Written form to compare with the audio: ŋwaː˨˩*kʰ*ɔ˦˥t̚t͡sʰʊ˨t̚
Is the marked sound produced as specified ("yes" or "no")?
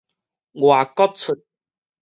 no